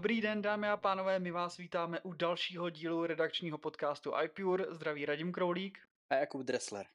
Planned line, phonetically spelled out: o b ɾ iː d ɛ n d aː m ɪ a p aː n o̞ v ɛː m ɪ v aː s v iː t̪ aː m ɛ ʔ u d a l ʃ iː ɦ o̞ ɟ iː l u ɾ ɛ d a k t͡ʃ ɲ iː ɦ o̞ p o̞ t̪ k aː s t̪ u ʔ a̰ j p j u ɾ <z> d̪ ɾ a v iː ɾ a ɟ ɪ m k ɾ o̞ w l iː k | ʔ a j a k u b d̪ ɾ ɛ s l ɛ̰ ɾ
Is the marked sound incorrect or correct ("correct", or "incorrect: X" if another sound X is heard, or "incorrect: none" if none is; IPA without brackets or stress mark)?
correct